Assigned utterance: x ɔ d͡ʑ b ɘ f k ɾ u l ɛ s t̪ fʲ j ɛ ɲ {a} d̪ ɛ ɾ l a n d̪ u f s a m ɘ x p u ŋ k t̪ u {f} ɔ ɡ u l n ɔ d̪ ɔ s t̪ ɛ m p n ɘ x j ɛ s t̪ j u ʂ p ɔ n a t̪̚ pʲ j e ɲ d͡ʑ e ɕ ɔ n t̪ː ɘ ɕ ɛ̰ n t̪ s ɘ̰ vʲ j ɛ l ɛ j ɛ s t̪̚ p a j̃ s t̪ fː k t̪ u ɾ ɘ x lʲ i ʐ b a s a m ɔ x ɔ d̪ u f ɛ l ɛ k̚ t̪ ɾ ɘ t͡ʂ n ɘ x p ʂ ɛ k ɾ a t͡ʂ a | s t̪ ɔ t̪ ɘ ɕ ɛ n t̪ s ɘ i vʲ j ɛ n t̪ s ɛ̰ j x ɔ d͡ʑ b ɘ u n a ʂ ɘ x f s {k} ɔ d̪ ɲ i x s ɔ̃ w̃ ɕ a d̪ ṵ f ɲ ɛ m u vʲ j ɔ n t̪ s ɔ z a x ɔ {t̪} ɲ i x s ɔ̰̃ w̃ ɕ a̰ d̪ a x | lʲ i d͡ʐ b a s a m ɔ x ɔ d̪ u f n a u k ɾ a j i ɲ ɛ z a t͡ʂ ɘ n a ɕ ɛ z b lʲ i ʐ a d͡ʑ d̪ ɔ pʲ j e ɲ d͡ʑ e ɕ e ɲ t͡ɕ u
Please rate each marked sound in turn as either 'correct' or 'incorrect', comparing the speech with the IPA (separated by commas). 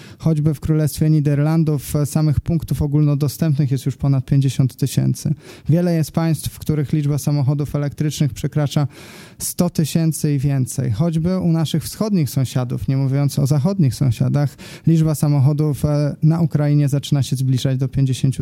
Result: incorrect, correct, incorrect, incorrect